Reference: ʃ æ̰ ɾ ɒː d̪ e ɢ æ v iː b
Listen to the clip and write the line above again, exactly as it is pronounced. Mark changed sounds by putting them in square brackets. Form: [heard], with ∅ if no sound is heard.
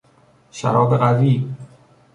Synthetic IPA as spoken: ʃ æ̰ ɾ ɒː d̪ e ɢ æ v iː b